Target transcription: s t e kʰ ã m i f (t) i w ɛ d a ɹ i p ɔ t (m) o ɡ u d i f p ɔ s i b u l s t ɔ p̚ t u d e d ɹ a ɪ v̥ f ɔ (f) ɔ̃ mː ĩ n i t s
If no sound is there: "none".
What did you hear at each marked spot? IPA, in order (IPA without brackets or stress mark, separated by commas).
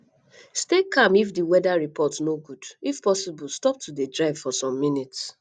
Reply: d, n, s